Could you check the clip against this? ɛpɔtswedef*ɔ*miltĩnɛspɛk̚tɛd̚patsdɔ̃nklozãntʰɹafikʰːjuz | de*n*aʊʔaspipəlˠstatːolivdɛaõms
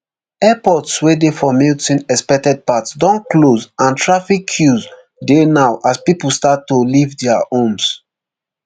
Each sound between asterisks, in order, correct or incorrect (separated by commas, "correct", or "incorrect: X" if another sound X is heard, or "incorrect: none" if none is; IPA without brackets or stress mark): correct, correct